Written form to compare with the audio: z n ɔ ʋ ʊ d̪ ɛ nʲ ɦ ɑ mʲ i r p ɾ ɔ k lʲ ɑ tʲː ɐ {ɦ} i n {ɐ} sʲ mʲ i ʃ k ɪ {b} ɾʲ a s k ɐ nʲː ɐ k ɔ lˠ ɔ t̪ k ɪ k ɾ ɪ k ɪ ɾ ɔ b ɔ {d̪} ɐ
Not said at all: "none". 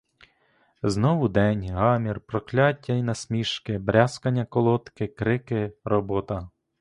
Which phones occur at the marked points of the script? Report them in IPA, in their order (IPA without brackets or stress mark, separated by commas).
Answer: none, ɐ, b, t̪